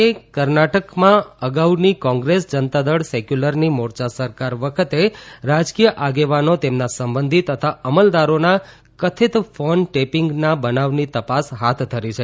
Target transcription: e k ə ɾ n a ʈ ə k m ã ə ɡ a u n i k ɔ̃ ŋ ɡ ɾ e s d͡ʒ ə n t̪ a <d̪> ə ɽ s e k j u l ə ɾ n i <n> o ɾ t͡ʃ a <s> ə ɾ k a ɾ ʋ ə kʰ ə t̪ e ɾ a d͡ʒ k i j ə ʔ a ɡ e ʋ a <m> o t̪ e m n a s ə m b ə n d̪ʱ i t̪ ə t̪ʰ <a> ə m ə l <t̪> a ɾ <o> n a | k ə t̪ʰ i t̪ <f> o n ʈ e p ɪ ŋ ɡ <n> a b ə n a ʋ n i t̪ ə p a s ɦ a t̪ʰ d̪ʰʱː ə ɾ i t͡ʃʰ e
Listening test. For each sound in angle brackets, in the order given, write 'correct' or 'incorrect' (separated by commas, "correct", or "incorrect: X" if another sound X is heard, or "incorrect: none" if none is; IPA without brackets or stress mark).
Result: correct, incorrect: m, correct, incorrect: n, correct, incorrect: d̪, correct, correct, correct